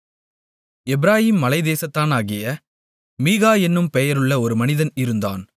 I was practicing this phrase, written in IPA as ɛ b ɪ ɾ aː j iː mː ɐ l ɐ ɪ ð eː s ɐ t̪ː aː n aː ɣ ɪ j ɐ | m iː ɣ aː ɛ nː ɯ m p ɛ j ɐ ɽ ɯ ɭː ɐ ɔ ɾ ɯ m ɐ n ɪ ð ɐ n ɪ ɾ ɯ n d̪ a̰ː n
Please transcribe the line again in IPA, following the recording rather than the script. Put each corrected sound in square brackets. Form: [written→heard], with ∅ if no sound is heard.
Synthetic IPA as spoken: ɛ b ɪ ɾ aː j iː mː ɐ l ɐ ɪ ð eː s ɐ t̪ː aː n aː ɣ ɪ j ɐ | m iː ɣ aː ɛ nː ɯ m p ɛ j ɐ [ɽ→ɾ] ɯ ɭː ɐ ɔ ɾ ɯ m ɐ n ɪ ð ɐ n ɪ ɾ ɯ n d̪ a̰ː n